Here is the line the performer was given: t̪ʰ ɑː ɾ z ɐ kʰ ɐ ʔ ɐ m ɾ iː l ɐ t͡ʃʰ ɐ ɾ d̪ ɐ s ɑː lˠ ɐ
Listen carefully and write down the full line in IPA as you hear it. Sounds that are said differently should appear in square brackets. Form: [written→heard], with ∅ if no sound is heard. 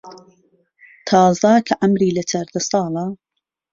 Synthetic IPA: t̪ʰ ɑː [ɾ→∅] z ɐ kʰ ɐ ʔ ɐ m ɾ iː l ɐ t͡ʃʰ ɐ ɾ d̪ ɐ s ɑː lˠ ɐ